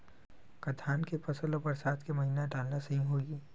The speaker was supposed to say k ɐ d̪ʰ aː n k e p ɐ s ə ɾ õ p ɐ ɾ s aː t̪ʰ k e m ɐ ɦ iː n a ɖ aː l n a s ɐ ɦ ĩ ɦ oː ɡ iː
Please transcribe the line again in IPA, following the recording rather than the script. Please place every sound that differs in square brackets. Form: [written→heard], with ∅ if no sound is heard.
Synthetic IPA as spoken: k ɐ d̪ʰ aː n k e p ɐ s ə [ɾ→l] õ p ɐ ɾ s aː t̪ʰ k e m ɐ ɦ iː n a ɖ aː l n a s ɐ ɦ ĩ ɦ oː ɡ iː

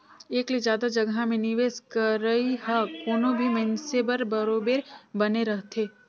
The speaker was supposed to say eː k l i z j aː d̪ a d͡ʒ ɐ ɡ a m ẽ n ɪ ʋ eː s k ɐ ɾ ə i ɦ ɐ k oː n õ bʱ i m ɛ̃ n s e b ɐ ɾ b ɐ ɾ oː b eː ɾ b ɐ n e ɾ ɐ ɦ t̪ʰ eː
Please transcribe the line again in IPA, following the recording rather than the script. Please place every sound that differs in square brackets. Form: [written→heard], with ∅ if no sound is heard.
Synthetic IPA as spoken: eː k l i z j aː d̪ a d͡ʒ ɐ ɡ a m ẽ n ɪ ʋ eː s k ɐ ɾ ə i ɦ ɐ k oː n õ bʱ i m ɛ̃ n s e b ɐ ɾ b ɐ ɾ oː b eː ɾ b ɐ n e ɾ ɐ ɦ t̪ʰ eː

